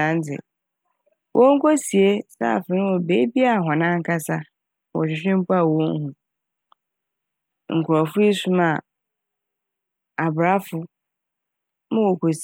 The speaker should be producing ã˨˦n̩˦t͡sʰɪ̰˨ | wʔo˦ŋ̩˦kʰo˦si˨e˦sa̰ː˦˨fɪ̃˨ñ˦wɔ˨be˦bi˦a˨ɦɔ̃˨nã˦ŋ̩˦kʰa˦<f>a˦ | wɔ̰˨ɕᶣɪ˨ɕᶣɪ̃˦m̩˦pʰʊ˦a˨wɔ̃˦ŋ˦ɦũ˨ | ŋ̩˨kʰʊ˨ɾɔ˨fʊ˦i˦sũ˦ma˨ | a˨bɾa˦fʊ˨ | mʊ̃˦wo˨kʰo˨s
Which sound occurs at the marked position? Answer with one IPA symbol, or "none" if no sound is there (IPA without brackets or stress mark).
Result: s